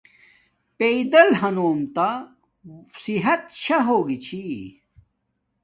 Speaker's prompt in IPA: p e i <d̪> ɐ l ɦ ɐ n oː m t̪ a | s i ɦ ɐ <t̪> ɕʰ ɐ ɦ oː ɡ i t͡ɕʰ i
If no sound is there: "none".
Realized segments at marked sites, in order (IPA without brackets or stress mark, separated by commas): d̪, t̪